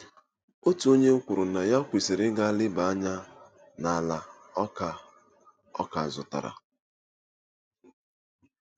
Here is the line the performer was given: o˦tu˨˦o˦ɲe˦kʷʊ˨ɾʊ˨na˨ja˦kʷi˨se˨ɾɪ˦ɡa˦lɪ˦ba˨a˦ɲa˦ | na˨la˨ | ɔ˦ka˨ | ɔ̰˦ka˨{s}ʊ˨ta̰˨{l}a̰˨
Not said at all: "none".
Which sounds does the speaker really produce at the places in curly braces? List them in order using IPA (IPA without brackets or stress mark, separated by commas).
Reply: z, ɾ